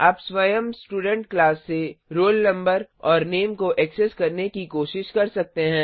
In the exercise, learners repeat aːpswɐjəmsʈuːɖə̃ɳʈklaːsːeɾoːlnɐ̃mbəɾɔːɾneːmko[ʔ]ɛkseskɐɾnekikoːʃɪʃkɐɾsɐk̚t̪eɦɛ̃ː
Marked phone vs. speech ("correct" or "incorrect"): correct